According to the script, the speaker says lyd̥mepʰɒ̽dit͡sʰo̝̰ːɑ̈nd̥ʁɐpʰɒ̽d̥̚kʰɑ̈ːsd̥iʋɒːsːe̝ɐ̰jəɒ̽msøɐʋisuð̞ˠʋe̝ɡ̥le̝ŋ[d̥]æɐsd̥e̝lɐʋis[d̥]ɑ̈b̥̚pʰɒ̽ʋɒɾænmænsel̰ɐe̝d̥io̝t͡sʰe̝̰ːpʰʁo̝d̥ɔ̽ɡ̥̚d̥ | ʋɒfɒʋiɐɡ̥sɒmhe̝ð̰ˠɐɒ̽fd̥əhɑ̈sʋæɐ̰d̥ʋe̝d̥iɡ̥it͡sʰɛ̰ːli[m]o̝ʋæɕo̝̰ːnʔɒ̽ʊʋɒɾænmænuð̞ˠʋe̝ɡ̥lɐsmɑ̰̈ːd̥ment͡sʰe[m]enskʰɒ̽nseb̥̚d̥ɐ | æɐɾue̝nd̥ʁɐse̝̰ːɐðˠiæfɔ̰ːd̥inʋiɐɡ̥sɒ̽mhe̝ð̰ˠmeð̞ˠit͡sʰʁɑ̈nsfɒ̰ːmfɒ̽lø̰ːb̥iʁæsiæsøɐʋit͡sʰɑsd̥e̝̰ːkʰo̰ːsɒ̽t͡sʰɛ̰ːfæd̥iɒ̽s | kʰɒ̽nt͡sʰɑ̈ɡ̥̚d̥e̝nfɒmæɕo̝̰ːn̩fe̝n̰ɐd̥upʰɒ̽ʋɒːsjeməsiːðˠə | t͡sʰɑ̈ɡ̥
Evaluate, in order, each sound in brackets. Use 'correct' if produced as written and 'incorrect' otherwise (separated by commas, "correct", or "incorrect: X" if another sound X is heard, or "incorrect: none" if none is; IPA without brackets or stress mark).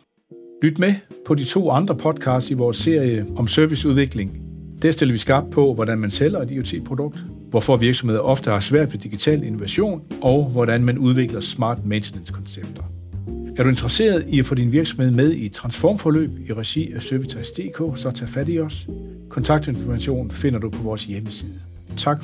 correct, incorrect: ɡ̥, incorrect: n, incorrect: n